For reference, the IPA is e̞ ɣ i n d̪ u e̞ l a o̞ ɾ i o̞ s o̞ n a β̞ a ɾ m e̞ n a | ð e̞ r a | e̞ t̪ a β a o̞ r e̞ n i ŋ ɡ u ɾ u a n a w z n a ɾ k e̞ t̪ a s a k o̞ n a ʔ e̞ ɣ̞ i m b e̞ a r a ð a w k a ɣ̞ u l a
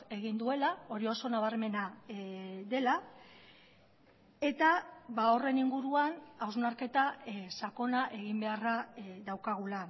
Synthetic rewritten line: e̞ ɣ i n d̪ u e̞ l a o̞ ɾ i o̞ s o̞ n a β̞ a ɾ m e̞ n a | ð e̞ l a | e̞ t̪ a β a o̞ r e̞ n i ŋ ɡ u ɾ u a n a w z n a ɾ k e̞ t̪ a s a k o̞ n a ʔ e̞ ɣ̞ i m b e̞ a r a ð a w k a ɣ̞ u l a